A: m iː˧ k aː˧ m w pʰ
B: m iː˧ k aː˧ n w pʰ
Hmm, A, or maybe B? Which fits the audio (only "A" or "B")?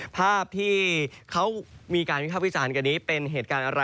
B